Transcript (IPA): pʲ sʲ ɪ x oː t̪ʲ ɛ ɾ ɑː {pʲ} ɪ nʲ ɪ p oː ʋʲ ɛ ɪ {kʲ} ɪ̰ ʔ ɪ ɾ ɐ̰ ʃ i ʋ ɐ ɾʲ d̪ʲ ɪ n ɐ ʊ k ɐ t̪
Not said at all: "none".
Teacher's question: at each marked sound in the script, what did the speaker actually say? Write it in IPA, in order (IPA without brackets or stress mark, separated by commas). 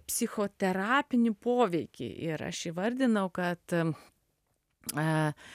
pʲ, kʲ